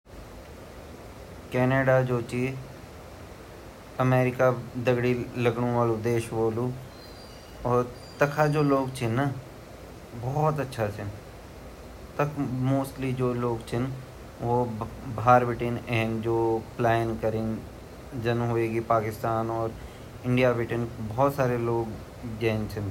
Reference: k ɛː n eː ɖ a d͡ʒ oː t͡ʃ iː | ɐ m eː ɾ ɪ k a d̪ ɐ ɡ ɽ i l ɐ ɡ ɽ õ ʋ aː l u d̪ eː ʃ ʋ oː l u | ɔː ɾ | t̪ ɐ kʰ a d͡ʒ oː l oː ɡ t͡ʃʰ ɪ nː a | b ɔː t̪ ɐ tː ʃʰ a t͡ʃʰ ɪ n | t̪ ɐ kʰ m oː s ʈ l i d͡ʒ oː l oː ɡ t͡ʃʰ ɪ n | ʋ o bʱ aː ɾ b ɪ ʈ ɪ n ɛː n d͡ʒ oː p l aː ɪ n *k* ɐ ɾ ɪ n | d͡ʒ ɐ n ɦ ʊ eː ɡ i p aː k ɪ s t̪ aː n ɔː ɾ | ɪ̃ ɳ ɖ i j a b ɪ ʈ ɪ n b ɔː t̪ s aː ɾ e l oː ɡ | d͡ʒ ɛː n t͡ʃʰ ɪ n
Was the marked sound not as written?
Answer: no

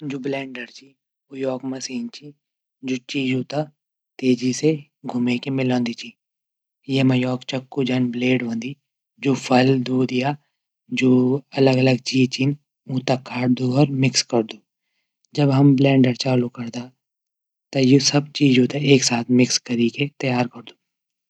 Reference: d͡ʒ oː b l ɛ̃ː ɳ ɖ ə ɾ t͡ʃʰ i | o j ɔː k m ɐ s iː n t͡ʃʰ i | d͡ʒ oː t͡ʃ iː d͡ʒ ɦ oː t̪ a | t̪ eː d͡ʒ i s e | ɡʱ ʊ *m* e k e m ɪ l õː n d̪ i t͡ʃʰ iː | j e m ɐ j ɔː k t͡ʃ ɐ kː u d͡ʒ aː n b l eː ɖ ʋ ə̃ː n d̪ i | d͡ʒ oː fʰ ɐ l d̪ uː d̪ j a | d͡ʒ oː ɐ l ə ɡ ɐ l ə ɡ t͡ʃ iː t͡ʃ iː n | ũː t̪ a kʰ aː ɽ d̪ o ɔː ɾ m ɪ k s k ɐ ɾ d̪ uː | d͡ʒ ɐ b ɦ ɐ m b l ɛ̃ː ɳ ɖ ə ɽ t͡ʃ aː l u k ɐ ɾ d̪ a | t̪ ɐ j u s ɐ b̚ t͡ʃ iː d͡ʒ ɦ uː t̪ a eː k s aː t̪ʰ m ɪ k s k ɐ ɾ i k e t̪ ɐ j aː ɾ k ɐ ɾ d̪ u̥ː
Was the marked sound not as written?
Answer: no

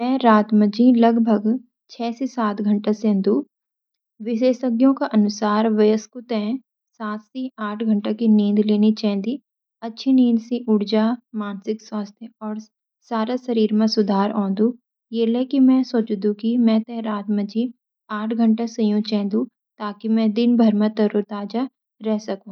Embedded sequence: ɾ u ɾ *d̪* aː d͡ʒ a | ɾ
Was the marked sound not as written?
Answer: yes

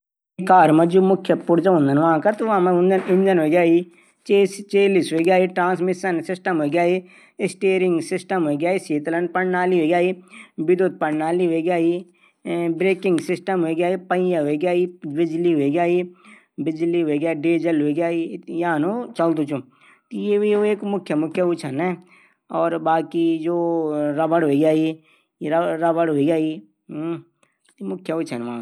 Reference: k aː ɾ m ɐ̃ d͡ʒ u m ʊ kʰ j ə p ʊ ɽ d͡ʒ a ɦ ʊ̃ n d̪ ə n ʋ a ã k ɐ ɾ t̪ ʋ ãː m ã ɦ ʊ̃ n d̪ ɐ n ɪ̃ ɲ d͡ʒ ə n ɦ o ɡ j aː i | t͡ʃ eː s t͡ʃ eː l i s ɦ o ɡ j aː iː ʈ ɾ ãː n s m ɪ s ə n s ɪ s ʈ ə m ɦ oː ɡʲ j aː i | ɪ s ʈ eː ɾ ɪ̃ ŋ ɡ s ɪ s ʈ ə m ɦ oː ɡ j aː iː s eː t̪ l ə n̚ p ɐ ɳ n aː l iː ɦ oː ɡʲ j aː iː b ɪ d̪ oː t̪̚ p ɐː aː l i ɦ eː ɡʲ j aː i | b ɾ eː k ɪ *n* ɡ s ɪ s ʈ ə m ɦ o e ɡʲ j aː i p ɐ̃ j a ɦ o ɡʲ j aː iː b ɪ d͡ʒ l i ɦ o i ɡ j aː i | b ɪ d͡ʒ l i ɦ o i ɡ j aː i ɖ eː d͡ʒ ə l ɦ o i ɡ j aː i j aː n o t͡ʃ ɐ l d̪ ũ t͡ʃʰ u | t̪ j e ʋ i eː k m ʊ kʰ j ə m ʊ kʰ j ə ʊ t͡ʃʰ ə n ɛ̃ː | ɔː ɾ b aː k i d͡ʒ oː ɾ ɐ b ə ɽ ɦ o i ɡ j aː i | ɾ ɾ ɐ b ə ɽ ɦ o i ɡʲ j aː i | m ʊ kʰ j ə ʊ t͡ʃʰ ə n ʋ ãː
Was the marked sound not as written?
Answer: yes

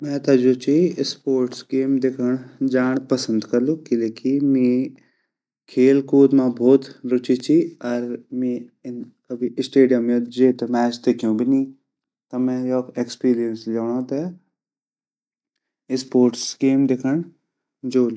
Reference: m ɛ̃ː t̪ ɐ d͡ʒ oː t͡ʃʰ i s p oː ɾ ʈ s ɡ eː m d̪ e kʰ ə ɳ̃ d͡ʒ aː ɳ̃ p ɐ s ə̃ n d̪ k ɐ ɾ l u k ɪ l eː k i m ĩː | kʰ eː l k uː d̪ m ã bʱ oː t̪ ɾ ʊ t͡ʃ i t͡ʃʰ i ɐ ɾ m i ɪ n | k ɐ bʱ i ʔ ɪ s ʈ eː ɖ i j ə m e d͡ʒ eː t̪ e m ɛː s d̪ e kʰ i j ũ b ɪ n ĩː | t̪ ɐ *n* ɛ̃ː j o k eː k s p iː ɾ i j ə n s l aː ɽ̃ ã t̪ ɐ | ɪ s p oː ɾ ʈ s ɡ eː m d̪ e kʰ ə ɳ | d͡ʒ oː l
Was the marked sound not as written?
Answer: yes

